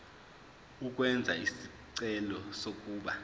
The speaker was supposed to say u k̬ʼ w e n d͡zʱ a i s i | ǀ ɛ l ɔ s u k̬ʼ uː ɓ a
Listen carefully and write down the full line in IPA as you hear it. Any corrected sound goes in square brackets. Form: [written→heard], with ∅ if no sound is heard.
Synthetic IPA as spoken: u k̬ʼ w [e→ɛ] n d͡zʱ a i s i | ǀ ɛ l ɔ s [u→o] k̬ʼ uː ɓ a